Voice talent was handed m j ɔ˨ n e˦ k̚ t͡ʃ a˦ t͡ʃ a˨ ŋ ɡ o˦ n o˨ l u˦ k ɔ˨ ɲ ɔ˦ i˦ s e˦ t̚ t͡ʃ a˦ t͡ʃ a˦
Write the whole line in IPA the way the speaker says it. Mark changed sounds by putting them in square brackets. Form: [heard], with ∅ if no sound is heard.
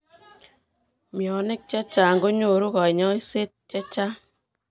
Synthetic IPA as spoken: m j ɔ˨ n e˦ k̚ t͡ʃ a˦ t͡ʃ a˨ ŋ ɡ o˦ [ɲ] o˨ [ɾ] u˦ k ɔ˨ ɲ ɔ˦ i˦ s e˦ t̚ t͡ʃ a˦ t͡ʃ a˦